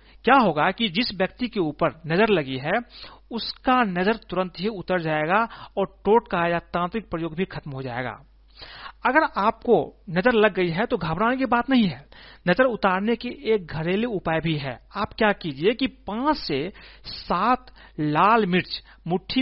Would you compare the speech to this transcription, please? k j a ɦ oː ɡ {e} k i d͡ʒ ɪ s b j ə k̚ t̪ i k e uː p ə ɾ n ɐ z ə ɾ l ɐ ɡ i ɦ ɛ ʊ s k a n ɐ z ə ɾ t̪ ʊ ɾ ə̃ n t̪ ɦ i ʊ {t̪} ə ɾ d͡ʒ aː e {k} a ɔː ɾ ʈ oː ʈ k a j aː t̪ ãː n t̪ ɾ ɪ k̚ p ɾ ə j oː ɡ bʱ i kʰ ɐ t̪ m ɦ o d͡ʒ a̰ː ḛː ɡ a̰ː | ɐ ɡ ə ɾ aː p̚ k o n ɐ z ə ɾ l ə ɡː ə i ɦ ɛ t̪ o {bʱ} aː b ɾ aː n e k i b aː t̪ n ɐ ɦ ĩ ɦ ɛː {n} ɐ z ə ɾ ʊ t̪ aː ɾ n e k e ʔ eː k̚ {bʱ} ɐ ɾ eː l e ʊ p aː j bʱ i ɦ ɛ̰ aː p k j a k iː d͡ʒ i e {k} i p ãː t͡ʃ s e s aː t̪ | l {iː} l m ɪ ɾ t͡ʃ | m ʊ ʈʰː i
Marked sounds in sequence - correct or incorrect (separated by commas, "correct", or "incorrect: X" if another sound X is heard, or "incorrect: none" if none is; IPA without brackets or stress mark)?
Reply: incorrect: a, correct, incorrect: ɡ, incorrect: ɡʱ, correct, incorrect: ɡʱ, correct, incorrect: aː